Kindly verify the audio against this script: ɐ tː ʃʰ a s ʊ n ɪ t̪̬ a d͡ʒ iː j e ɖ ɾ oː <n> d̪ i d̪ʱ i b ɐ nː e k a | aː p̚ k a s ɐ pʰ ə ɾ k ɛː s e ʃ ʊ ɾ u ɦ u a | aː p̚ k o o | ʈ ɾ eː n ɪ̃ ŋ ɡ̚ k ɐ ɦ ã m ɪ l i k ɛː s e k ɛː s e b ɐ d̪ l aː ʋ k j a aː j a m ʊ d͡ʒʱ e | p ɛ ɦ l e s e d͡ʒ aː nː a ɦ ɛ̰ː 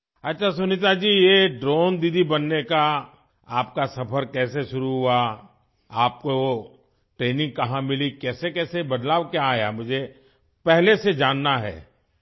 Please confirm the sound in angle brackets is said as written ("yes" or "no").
yes